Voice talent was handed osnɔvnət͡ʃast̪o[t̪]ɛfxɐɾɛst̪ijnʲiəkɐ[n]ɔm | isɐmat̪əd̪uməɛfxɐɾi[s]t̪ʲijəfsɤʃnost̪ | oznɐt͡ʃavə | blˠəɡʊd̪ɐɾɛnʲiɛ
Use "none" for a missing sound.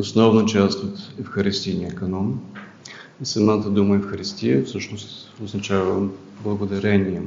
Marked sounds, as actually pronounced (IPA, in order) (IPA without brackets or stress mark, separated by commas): t̪, n, s